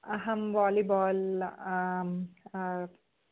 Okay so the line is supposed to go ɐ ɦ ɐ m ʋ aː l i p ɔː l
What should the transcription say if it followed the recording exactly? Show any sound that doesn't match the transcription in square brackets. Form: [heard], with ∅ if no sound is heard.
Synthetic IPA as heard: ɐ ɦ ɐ m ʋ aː l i [b] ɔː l